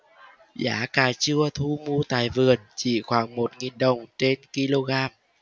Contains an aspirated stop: yes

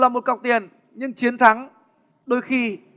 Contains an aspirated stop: yes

